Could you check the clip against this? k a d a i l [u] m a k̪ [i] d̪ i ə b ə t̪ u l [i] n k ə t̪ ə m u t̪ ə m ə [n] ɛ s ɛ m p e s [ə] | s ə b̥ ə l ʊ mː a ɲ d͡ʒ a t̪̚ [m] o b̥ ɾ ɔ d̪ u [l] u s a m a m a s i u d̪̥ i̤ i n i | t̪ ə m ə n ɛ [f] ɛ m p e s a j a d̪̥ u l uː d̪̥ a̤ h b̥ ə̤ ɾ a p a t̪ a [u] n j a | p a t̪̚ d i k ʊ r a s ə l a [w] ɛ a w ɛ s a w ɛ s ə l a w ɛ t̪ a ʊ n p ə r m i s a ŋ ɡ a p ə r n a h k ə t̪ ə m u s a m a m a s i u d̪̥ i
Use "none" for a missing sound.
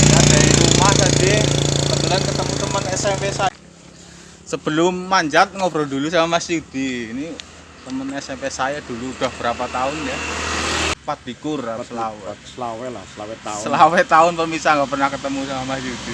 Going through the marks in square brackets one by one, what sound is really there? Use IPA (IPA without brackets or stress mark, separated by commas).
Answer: u, a, a, n, a, ŋ, l, s, ʊ, w